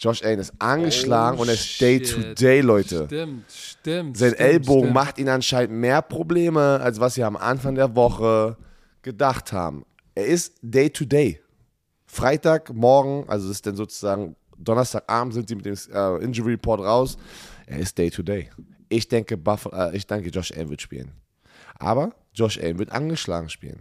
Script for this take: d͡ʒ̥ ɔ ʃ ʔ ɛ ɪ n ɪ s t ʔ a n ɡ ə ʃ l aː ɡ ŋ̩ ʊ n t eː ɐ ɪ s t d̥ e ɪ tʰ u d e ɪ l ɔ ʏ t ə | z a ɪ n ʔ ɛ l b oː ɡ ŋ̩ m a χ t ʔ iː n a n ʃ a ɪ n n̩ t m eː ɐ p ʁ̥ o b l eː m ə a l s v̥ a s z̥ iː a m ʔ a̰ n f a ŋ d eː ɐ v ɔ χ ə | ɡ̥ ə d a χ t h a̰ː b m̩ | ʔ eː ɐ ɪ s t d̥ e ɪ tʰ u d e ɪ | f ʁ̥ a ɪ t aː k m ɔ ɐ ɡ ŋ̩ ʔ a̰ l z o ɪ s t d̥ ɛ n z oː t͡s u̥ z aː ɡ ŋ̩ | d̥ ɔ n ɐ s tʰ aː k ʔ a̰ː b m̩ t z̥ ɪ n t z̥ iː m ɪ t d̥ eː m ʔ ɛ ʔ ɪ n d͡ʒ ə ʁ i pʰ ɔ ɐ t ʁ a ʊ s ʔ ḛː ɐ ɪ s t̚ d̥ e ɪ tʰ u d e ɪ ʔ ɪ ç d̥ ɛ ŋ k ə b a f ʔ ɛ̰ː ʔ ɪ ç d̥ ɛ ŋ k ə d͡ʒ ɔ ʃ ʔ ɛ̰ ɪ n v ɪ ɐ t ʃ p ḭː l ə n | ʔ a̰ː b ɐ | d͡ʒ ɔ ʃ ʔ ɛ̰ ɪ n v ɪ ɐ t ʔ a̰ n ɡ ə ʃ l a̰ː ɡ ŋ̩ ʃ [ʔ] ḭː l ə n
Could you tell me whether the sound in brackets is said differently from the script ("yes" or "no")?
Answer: yes